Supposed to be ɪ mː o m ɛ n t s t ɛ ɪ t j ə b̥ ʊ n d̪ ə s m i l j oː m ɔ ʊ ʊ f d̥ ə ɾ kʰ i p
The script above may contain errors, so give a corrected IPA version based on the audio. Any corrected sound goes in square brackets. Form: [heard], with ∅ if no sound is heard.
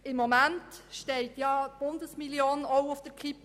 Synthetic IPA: ɪ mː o m [æ] n t [ʃ] t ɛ ɪ t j [ɑ] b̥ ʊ n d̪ ə s m i l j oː [n] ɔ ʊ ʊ f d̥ ə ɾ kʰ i p